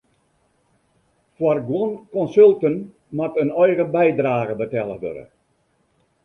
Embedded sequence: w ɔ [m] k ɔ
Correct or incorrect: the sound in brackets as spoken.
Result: incorrect: n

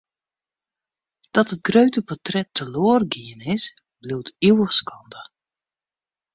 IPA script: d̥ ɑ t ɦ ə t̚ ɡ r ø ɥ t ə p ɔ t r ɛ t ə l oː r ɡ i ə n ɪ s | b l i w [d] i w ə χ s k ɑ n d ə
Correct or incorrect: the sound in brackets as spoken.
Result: incorrect: t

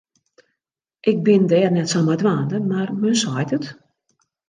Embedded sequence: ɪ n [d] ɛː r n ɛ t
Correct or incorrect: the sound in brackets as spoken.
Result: correct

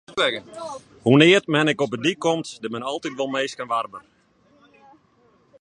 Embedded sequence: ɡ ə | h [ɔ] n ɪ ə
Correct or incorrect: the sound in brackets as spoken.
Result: incorrect: u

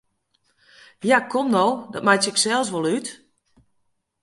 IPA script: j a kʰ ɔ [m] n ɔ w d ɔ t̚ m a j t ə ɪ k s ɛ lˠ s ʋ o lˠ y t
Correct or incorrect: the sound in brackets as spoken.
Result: correct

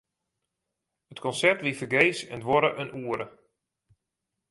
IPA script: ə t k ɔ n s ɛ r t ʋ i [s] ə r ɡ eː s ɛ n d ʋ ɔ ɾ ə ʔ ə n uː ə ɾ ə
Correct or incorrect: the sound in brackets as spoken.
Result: incorrect: f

